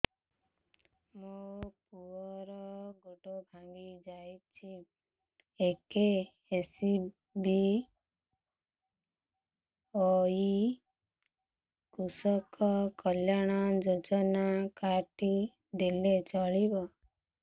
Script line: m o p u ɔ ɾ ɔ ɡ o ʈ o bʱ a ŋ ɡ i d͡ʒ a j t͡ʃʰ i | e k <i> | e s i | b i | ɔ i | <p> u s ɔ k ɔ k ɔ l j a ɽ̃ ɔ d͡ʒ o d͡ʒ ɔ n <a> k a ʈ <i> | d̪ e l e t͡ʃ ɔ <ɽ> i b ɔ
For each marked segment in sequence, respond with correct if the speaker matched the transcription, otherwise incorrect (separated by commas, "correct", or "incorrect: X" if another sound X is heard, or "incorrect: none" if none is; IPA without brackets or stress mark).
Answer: incorrect: e, incorrect: k, correct, correct, incorrect: ɭ